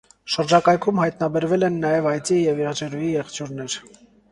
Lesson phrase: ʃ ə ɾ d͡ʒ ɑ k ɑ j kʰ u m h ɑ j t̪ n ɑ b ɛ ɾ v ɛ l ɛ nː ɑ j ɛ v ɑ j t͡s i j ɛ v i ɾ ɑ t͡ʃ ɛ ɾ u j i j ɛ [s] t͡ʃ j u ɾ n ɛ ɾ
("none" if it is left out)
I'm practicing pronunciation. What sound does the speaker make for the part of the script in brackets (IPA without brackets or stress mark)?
χ